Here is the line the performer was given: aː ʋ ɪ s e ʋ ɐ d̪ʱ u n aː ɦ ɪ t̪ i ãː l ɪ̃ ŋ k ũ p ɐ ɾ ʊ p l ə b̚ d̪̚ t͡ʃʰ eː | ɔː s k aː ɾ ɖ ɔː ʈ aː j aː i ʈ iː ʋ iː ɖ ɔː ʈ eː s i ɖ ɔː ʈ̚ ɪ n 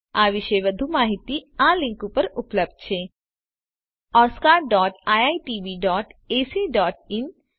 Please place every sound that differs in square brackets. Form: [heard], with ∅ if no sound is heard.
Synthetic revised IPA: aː ʋ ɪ [ʃ] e ʋ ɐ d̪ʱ u [m] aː ɦ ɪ t̪ i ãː l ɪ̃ ŋ k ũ p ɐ ɾ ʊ p l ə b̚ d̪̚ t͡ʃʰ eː | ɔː s k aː ɾ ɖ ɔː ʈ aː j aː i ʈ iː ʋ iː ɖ ɔː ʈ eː s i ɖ ɔː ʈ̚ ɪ n

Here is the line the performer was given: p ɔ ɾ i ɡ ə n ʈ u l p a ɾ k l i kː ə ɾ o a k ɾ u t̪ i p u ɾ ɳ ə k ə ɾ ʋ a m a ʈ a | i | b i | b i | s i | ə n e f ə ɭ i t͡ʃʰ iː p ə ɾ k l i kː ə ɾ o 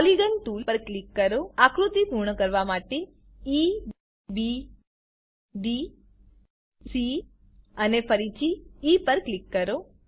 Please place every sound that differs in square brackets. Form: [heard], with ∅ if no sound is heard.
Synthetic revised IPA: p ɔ [l] i ɡ ə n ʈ u l p [ə] ɾ k l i kː ə ɾ o a k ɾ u t̪ i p u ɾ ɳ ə k ə ɾ ʋ a m a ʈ [e] | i | b i | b i | s i | ə n e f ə [ɾ] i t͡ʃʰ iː p ə ɾ k l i kː ə ɾ o

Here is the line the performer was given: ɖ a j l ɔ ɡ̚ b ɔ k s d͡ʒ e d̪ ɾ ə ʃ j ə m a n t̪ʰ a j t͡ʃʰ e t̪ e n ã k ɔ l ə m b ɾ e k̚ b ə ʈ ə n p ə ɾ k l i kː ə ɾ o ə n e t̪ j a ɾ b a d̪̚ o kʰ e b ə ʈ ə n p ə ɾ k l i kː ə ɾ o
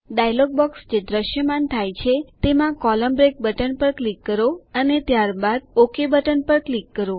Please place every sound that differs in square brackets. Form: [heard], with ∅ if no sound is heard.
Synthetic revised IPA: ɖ a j l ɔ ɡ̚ b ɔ k s d͡ʒ e d̪ ɾ ə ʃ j ə m a n t̪ʰ a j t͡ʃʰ e t̪ e [m] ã k ɔ l ə m b ɾ e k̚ b ə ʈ ə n p ə ɾ k l i kː ə ɾ o ə n e t̪ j a ɾ b a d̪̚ o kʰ e b ə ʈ ə n p ə ɾ k l i kː ə ɾ o

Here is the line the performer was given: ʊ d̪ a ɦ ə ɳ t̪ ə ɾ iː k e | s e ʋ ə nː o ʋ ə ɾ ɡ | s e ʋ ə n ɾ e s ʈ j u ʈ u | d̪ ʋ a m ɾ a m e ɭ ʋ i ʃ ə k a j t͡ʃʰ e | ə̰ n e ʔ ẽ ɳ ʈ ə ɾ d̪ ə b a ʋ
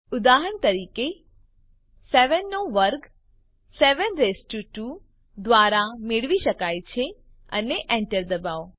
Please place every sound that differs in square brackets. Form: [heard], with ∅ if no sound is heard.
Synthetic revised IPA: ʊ d̪ a ɦ ə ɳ t̪ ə ɾ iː k e | s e ʋ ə nː o ʋ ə ɾ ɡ | s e ʋ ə n ɾ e s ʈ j u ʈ u | d̪ ʋ a [∅] ɾ a m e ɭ ʋ i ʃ ə k a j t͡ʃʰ e | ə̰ n e ʔ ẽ ɳ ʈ ə ɾ d̪ ə b a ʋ

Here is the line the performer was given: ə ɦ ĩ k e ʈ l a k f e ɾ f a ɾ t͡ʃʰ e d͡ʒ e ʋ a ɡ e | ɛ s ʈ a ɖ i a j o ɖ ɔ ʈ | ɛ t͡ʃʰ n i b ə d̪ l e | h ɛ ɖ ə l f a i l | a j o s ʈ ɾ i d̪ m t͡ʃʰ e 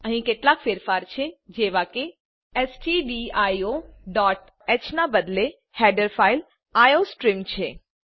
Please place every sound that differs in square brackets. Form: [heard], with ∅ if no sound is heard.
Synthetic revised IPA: ə ɦ ĩ k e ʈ l a k f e ɾ f a ɾ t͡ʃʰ e d͡ʒ e ʋ a [k] e | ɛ s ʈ [i] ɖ i a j o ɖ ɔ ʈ | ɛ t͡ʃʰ n [a] b ə d̪ l e | h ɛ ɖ ə [ɾ] f a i l | a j o s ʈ ɾ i [∅] m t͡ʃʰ e

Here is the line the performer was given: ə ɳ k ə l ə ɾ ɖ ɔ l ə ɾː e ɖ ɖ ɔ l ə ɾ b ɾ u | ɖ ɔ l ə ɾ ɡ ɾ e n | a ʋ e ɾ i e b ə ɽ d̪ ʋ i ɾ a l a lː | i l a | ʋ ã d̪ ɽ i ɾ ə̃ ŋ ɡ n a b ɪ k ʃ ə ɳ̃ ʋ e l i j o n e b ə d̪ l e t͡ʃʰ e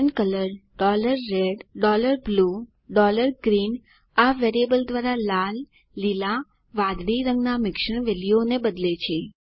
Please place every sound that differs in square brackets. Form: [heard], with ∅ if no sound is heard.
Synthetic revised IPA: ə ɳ k ə l ə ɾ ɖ ɔ l ə ɾː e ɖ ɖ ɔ l ə ɾ b [l] u | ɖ ɔ l ə ɾ ɡ ɾ [i] n | a ʋ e ɾ i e b ə [l] d̪ ʋ [a] ɾ a l a lː | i l a | ʋ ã d̪ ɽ i ɾ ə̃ ŋ ɡ n a [m] ɪ k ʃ ə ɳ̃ ʋ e l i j o n e b ə d̪ l e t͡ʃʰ e

